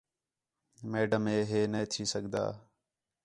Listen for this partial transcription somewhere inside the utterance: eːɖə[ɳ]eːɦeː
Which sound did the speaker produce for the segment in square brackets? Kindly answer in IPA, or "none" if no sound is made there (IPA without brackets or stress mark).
m